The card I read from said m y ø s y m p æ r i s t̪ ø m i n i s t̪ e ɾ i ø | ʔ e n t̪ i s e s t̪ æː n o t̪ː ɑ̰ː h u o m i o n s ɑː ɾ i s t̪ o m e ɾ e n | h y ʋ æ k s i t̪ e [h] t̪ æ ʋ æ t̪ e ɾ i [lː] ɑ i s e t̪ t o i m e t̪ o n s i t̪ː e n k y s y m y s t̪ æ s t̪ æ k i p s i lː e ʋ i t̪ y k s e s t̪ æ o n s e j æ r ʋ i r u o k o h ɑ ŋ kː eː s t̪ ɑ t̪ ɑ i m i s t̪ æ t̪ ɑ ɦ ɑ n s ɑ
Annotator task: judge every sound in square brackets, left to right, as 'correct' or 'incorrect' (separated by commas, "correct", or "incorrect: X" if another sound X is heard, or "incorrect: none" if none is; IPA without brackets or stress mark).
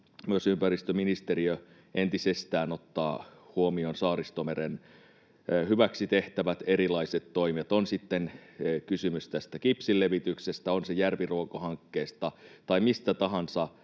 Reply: correct, incorrect: l